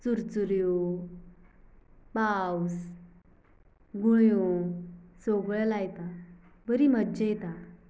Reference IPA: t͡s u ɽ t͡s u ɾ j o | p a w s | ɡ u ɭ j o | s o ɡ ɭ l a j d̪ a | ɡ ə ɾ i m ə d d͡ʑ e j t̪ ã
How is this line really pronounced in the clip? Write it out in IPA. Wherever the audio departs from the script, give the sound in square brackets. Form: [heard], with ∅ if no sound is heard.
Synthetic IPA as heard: t͡s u [ɾ] t͡s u ɾ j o | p a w s | ɡ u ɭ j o | s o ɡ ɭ l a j [t̪] a | [b] ə ɾ i m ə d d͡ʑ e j t̪ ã